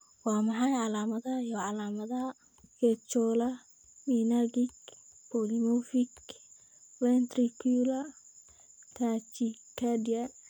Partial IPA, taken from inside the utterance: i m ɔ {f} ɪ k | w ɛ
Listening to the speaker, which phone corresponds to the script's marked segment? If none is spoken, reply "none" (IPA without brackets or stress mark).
f